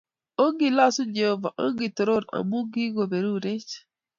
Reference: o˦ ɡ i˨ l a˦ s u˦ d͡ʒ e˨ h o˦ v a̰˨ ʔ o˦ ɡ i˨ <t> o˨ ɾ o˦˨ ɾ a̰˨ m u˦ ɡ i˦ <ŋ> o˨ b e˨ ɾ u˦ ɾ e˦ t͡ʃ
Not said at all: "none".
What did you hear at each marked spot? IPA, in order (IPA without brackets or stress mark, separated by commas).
t, ɡ